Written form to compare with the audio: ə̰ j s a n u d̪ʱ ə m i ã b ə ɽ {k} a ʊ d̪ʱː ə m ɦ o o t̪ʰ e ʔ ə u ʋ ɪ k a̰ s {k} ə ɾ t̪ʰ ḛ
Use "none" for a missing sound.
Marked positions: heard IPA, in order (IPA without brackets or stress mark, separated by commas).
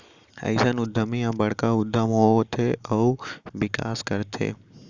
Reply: k, k